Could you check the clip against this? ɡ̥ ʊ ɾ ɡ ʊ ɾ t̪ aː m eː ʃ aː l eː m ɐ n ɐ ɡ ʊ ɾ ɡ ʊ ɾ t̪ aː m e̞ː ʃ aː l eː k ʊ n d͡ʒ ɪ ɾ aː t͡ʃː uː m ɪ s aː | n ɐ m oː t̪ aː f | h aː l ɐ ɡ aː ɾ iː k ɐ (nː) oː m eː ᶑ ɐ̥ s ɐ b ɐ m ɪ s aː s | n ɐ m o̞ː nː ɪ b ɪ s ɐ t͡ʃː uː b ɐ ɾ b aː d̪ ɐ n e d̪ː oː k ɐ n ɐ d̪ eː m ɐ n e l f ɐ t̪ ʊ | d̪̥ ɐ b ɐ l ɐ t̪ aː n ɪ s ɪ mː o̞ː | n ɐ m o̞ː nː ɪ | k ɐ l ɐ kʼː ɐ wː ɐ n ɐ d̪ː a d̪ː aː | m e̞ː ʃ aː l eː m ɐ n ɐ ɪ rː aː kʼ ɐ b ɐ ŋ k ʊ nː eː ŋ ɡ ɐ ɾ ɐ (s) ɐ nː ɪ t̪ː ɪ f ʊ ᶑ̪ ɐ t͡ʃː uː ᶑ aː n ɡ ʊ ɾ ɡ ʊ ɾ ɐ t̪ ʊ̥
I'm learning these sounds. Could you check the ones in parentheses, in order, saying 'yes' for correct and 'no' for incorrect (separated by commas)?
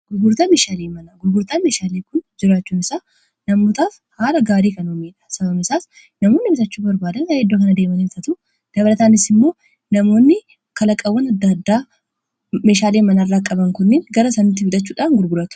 no, yes